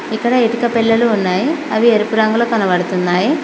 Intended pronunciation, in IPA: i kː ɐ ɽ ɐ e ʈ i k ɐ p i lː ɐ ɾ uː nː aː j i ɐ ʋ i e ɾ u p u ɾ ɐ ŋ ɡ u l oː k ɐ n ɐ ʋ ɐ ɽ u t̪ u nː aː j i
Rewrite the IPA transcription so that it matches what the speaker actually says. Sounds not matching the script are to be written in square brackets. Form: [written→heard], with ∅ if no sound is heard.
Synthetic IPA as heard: i kː ɐ ɽ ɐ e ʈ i k ɐ p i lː ɐ [ɾ→l] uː nː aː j i ɐ ʋ i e ɾ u p u ɾ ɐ ŋ ɡ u l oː k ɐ n ɐ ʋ ɐ ɽ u t̪ u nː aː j i